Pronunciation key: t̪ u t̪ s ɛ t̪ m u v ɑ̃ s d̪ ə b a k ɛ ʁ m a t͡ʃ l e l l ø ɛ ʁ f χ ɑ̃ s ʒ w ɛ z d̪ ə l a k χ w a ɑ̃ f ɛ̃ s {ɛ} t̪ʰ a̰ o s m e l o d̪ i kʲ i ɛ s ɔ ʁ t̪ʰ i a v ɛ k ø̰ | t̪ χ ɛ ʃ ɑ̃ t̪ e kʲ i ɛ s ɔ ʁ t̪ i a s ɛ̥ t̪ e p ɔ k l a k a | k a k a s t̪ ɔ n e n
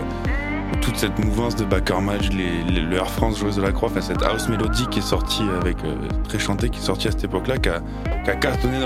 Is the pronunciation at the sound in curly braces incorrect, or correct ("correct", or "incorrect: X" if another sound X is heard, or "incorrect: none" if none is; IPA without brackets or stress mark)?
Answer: correct